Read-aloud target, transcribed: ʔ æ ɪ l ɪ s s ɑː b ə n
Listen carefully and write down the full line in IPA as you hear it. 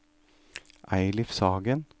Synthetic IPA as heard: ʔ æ ɪ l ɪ f s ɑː ɡ ə n